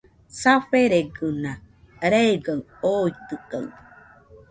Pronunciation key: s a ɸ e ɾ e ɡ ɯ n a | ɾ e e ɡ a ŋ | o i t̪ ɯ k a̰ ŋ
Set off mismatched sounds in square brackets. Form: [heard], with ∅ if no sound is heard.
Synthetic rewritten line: s a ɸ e ɾ e ɡ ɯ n a | ɾ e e ɡ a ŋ | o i t̪ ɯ k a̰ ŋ

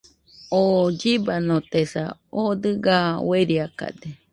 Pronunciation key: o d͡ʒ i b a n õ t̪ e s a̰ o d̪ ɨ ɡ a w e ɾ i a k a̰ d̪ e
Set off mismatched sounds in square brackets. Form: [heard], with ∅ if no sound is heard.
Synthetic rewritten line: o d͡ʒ i b a n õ t̪ e s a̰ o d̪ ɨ ɡ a w e ɾ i a k a̰ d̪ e

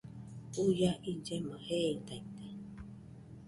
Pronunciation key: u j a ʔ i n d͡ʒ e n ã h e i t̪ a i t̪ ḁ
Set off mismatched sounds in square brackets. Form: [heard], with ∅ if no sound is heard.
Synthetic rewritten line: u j a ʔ i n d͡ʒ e [m] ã h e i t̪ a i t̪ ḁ

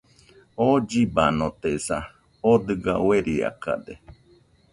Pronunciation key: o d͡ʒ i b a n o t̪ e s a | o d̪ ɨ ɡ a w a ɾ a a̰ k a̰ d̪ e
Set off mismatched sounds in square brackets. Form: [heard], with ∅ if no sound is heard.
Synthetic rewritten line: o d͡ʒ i b a n o t̪ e s a | o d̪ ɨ ɡ a w [e] ɾ [i] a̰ k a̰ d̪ e

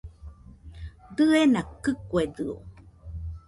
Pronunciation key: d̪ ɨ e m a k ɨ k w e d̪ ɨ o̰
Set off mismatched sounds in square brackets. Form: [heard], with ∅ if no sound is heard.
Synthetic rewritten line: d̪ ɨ e [n] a k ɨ k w e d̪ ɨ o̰

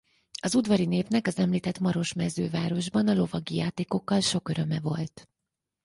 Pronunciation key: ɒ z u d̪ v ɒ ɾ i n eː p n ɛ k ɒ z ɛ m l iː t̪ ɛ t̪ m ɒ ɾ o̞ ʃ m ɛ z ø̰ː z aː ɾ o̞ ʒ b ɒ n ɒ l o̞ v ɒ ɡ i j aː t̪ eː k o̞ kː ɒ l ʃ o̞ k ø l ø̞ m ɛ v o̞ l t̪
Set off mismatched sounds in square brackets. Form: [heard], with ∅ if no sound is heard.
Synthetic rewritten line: ɒ z u d̪ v ɒ ɾ i n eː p n ɛ k ɒ z ɛ m l iː t̪ ɛ t̪ m ɒ ɾ o̞ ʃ m ɛ z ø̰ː [v] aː ɾ o̞ ʒ b ɒ n ɒ l o̞ v ɒ ɡ i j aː t̪ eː k o̞ kː ɒ l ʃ o̞ k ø [ɾ] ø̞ m ɛ v o̞ l t̪

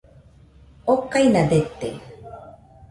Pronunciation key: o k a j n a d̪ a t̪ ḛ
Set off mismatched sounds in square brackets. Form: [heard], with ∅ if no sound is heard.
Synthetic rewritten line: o k a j n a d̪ [e] t̪ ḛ

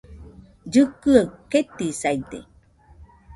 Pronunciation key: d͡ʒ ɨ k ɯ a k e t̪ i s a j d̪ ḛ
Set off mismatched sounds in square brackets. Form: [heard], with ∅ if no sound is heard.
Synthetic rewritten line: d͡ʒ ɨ k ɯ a k e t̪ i s a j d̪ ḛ

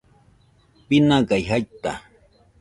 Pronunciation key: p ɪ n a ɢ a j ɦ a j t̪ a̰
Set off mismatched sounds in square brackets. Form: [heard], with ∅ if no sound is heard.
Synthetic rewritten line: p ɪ n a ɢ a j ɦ a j t̪ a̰

